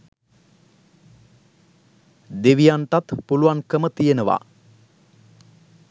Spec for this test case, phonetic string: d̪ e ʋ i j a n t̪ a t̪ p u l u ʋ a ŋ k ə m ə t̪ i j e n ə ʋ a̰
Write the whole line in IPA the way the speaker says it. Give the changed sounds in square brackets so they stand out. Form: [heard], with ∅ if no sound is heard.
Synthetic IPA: d̪ e ʋ i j a n t̪ a t̪ p u l u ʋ a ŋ k ə m ə t̪ i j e n ə ʋ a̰

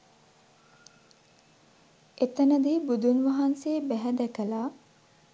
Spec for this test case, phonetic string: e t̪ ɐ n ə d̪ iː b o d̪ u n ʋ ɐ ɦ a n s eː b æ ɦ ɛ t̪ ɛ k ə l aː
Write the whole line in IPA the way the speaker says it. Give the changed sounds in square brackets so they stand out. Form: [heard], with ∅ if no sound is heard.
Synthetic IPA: e t̪ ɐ n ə d̪ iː b [u] d̪ u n ʋ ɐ ɦ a n s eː b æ ɦ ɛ [d̪] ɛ k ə l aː

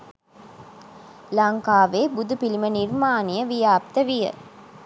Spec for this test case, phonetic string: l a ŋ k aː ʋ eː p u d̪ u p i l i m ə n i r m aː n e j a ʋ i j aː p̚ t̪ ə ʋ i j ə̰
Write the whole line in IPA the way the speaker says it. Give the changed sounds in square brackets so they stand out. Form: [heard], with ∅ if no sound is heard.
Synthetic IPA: l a ŋ k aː ʋ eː [b] u d̪ u p i l i m ə n i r m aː n [i] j [ə] ʋ i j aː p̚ t̪ ə ʋ i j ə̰

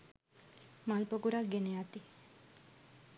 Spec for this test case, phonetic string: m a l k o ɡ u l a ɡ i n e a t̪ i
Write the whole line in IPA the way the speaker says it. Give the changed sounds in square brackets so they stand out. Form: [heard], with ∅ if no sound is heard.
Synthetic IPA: m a l [p] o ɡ u [ɾ] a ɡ [e] n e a t̪ i

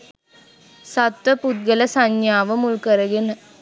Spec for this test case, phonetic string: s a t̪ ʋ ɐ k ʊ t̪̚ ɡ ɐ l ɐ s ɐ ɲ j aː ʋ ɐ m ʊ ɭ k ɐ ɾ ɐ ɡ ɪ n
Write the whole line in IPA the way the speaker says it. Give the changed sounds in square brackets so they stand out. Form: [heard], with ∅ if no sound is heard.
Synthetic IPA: s [ɐ] t̪ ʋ ɐ [p] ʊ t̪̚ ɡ ɐ l ɐ s ɐ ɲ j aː ʋ ɐ m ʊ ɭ k ɐ ɾ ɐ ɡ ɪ n

